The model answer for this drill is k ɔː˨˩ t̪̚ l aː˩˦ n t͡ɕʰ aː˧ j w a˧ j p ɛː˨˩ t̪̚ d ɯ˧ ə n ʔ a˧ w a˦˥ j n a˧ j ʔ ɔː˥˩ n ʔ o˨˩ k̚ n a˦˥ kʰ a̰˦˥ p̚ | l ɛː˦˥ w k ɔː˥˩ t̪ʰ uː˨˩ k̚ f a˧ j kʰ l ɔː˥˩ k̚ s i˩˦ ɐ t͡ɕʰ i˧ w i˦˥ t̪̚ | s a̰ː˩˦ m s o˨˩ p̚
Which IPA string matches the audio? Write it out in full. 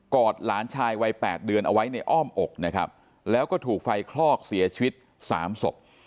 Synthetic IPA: k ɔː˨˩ t̪̚ l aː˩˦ n t͡ɕʰ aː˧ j w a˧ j p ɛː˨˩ t̪̚ d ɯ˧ ə n ʔ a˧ w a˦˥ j n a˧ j ʔ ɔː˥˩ m ʔ o˨˩ k̚ n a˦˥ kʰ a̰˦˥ p̚ | l ɛː˦˥ w k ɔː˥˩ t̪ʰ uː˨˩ k̚ f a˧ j kʰ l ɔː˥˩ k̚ s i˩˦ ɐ t͡ɕʰ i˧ w i˦˥ t̪̚ | s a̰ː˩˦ m s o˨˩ p̚